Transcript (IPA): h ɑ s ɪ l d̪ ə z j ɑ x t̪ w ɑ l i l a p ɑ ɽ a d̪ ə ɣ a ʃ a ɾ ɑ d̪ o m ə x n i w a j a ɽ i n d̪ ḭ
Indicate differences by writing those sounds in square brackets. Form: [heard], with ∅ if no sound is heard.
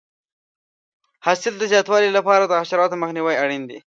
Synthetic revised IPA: h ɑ s ɪ l d̪ ə z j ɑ [∅] t̪ w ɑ l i l a p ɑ [ɾ] a d̪ ə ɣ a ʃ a ɾ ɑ [t̪] o m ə x n i w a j a ɽ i n d̪ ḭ